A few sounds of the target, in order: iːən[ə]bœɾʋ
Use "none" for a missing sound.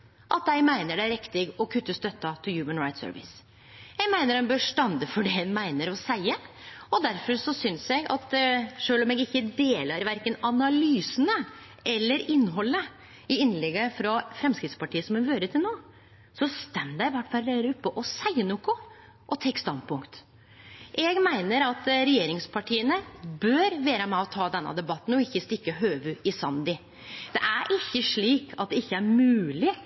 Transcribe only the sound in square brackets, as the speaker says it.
ə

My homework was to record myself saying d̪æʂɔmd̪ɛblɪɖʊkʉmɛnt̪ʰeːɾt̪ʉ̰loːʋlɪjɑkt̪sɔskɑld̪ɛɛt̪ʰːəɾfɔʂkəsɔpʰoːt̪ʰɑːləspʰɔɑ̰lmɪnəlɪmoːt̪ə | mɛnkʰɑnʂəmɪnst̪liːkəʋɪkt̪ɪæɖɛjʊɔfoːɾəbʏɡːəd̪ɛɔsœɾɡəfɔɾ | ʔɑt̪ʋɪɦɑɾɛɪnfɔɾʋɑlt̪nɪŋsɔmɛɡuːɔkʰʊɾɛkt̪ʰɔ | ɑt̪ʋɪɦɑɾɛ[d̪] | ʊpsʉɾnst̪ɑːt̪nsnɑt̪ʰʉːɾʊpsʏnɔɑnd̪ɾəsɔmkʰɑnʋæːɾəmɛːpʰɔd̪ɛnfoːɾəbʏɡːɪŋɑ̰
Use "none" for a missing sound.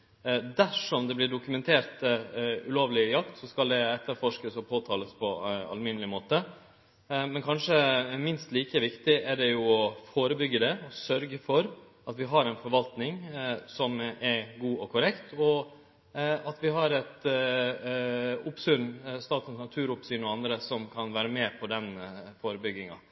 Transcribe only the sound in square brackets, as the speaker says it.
t̪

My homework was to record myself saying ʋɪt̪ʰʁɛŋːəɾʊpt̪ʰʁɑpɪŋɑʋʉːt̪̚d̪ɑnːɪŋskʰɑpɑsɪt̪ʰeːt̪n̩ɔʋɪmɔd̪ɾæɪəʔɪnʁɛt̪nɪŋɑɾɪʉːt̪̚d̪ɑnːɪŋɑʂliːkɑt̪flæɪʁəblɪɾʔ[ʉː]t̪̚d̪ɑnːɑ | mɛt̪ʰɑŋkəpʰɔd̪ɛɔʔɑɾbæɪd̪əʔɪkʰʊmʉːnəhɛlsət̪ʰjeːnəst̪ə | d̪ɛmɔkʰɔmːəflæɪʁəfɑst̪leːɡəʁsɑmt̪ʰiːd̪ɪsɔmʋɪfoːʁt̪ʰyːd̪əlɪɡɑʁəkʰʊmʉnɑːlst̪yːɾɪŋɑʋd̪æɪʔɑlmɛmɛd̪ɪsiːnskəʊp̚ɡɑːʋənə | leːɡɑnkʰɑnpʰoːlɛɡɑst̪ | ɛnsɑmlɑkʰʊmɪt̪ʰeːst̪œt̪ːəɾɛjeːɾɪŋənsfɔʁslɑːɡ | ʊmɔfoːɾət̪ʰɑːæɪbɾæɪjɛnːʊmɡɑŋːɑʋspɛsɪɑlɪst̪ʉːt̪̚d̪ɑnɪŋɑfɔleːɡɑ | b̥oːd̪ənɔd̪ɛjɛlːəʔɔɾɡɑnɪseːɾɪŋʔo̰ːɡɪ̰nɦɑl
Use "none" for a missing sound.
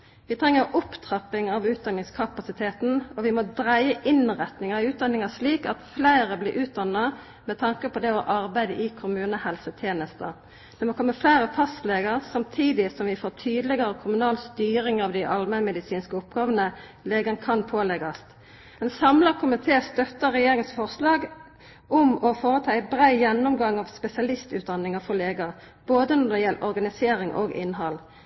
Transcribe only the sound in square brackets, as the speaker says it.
ʉː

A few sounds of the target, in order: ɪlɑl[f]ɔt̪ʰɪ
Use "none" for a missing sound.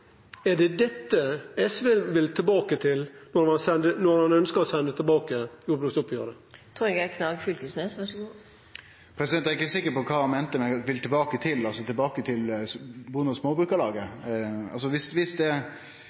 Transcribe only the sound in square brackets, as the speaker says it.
s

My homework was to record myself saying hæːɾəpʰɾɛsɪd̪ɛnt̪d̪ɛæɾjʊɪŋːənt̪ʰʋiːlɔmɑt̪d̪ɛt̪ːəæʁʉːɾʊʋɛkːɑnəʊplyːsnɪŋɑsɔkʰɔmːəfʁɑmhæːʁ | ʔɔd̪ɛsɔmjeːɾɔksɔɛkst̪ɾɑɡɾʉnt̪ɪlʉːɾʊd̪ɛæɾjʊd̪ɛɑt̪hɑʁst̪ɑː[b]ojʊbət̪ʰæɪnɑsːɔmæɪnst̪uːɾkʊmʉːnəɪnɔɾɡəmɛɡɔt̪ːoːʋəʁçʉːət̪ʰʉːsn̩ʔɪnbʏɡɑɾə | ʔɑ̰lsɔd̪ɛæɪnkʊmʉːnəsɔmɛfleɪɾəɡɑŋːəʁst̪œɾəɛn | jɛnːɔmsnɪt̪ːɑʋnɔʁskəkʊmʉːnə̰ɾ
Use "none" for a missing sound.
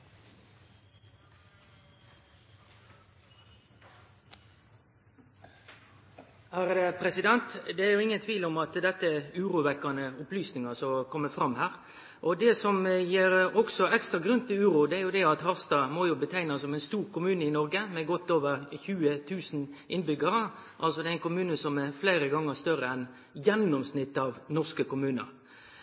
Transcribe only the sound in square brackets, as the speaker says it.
m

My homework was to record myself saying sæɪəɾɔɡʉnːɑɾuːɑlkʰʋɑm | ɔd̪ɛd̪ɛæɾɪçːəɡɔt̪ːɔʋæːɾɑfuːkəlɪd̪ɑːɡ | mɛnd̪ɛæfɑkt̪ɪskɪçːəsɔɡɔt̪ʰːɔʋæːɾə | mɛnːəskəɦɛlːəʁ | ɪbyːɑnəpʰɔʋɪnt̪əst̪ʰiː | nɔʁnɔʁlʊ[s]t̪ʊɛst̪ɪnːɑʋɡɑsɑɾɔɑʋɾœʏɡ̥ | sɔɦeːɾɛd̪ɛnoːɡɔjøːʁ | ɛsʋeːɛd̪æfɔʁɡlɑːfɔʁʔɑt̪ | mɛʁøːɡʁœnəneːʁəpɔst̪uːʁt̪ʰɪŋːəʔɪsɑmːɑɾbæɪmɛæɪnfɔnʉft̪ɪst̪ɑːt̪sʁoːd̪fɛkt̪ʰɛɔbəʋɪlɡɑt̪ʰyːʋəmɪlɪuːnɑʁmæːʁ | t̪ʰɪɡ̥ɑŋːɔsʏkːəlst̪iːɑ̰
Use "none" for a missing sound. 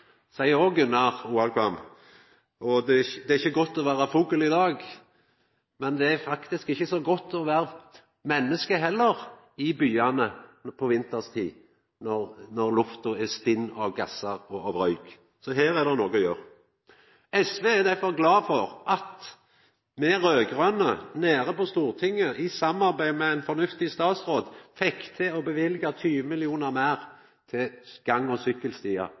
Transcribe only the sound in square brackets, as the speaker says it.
f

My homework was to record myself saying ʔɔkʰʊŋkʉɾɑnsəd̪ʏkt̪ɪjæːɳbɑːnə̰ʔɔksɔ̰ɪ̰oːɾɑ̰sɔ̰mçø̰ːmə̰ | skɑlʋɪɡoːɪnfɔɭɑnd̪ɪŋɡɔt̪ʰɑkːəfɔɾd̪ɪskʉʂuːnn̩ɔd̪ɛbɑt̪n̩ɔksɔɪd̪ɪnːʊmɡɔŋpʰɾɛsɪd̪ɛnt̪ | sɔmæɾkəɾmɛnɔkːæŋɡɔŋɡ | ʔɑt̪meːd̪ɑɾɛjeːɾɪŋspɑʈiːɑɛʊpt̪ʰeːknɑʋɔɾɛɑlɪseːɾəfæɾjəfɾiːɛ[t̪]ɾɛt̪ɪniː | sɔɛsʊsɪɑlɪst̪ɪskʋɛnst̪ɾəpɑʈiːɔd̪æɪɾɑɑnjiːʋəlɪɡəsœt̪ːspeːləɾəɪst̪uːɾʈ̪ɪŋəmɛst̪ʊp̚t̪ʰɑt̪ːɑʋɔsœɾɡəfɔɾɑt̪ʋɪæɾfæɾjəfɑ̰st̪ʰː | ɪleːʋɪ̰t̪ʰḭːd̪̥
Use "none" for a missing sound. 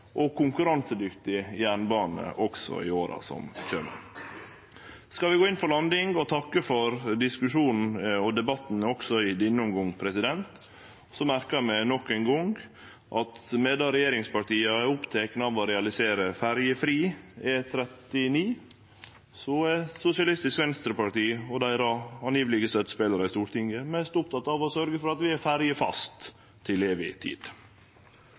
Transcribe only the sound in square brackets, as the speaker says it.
t̪ʰ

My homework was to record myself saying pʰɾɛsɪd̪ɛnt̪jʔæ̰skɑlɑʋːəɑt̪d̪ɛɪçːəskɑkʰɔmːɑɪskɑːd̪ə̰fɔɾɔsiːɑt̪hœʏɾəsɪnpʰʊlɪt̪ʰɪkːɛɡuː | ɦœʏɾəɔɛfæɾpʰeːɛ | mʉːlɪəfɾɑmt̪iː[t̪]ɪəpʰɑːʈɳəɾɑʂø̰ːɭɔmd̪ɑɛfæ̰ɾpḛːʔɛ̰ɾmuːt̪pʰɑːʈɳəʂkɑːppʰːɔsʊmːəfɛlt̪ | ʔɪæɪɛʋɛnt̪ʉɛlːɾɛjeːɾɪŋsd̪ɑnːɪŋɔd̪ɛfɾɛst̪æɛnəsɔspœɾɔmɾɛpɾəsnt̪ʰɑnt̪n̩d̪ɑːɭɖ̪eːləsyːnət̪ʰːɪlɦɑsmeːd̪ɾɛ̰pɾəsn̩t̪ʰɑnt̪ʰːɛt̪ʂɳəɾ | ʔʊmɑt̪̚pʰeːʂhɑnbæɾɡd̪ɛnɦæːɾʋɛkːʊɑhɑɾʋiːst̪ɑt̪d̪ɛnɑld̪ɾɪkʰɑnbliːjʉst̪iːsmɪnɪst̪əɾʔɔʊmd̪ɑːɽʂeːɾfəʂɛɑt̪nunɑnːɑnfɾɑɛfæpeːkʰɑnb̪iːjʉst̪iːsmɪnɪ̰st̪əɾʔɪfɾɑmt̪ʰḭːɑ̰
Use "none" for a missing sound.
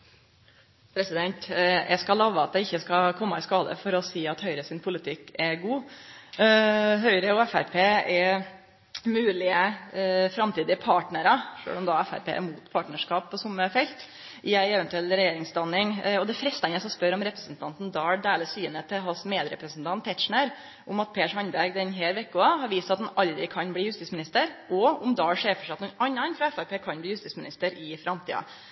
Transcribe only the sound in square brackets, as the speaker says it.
d̪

